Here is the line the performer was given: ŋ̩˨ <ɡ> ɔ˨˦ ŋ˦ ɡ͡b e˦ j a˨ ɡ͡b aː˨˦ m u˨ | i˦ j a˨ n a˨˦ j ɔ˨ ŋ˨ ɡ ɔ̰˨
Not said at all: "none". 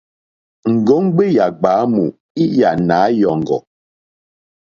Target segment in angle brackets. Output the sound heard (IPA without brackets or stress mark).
ɡ